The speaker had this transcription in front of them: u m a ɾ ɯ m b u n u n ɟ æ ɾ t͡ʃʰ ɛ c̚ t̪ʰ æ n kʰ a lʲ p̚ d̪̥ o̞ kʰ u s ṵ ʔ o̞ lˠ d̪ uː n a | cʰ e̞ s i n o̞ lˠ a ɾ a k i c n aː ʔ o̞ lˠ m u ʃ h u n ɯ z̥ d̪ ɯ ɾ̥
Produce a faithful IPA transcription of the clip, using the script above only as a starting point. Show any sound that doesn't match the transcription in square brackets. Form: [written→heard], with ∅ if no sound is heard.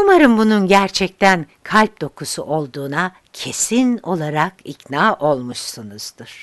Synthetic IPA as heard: u m a ɾ ɯ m b u n u n ɟ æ ɾ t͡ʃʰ ɛ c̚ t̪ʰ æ n kʰ a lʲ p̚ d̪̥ o̞ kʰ u s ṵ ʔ o̞ lˠ d̪ uː n a | cʰ e̞ s i n o̞ lˠ a ɾ a k i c n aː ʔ o̞ lˠ m u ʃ [h→s] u n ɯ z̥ d̪ ɯ ɾ̥